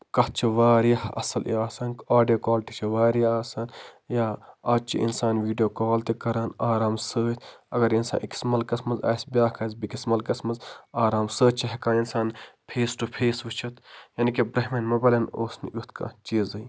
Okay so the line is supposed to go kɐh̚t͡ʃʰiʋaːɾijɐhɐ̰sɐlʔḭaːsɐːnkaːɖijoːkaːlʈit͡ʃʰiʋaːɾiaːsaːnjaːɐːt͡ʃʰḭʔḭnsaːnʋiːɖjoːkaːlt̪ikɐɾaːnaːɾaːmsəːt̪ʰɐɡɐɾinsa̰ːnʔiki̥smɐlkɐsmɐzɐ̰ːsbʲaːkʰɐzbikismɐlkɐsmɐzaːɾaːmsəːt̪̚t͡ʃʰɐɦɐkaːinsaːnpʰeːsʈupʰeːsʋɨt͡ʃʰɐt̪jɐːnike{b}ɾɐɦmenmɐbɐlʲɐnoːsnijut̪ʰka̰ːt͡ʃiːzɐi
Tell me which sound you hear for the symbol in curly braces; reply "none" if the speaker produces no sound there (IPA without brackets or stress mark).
b